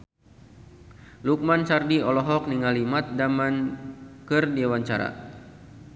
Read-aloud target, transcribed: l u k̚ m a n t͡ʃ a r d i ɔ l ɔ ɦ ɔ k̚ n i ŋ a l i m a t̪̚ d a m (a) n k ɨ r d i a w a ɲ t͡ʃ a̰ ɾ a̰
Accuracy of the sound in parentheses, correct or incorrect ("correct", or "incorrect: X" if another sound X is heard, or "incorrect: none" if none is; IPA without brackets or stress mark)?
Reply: correct